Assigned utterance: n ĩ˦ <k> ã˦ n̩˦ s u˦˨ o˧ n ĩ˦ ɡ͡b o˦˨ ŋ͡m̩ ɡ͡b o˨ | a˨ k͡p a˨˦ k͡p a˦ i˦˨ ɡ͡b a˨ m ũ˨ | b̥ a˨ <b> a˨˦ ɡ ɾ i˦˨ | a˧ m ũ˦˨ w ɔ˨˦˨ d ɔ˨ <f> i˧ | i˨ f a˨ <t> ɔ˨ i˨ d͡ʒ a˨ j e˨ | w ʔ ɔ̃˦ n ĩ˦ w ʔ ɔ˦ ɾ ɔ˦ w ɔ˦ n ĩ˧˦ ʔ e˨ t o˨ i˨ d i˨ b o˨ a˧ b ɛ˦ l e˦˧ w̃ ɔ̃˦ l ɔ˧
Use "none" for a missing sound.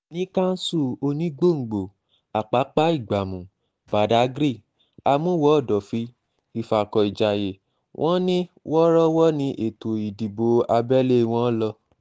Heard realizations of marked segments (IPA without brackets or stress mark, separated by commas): k, d, f, k